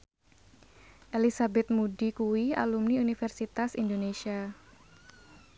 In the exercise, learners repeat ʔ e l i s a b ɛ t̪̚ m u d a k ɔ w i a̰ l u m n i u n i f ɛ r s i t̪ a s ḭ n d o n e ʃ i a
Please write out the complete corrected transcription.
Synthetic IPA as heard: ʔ e l i s a b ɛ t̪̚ m u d i k u w i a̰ l u m n i u n i f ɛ r s i t̪ a s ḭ n d o n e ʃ i a